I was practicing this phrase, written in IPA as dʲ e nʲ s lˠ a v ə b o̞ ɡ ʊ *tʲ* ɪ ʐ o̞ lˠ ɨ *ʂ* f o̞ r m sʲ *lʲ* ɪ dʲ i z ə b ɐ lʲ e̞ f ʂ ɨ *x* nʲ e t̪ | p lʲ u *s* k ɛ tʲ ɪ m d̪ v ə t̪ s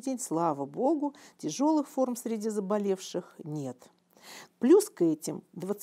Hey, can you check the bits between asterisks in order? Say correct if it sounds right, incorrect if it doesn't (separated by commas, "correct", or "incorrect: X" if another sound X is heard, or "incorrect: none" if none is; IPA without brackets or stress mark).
correct, incorrect: x, incorrect: ɾʲ, correct, correct